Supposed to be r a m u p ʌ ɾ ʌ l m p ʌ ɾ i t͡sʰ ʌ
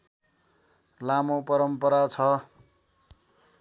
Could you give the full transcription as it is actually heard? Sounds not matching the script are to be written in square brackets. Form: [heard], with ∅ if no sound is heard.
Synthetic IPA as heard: [l] a m [o] p ʌ ɾ ʌ [∅] m p ʌ ɾ [a] t͡sʰ ʌ

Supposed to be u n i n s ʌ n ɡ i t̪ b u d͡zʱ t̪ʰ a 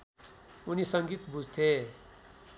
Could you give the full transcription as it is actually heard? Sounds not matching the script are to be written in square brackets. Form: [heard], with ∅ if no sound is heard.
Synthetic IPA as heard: u n i [∅] s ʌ [ŋ] ɡ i t̪ b u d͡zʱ t̪ʰ [e]

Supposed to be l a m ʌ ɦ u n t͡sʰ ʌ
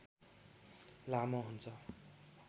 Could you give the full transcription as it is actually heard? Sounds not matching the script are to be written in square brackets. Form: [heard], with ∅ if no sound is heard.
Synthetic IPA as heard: l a m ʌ ɦ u n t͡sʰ ʌ

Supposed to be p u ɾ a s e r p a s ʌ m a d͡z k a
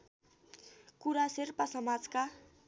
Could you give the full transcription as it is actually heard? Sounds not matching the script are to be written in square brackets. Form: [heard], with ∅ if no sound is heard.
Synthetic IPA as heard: [k] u ɾ a s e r p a s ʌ m a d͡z k a

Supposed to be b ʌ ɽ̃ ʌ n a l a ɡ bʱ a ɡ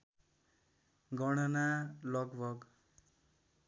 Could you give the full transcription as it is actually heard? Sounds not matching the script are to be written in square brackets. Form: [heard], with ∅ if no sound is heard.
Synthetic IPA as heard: [ɡ] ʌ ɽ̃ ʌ n a l [ʌ] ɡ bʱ [ʌ] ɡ

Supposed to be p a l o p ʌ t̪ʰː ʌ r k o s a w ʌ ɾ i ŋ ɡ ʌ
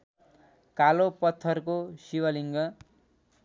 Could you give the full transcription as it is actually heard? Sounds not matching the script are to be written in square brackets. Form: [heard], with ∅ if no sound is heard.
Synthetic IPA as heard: [k] a l o p ʌ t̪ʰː ʌ r k o s [i] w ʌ [l] i ŋ ɡ ʌ

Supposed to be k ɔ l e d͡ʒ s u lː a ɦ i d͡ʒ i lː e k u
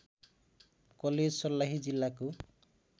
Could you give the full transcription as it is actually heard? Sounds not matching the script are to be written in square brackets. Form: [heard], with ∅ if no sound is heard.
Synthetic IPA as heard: k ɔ l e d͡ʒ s [ɔ] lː a ɦ i d͡ʒ i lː [a] k u

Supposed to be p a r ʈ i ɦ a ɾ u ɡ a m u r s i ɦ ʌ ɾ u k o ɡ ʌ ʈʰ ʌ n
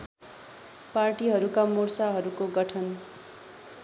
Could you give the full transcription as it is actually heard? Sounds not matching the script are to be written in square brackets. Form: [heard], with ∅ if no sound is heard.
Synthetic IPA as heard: p a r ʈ i ɦ [ʌ] ɾ u [k] a m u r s [a] ɦ ʌ ɾ u k o ɡ ʌ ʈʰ ʌ n

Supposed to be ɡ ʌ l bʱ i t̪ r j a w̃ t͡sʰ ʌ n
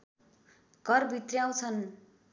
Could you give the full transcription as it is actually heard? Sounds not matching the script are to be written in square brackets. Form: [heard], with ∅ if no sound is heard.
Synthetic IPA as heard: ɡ ʌ [r] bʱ i t̪ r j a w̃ t͡sʰ ʌ n

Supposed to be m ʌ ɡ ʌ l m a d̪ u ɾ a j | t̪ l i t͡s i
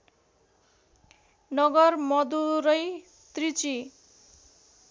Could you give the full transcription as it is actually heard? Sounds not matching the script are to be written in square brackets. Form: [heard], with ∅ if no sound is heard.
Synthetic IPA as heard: [n] ʌ ɡ ʌ [r] m [ʌ] d̪ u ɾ [ʌ] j | t̪ [r] i t͡s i

